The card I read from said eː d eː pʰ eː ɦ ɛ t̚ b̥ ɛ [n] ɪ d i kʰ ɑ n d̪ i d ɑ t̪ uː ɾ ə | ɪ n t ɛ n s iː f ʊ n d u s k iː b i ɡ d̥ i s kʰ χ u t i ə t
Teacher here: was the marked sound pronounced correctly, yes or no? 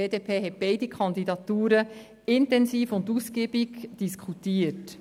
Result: no